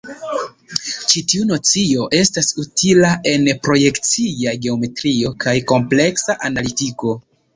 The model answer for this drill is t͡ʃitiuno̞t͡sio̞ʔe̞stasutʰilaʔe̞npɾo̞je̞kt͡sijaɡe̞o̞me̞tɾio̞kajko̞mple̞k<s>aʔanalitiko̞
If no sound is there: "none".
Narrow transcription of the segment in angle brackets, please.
s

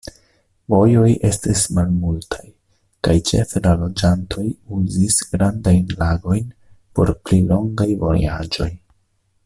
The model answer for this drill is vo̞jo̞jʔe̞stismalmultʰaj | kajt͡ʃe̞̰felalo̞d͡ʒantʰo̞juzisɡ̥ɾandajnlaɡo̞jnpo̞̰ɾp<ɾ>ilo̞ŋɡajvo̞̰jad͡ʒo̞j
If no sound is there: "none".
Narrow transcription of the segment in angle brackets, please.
l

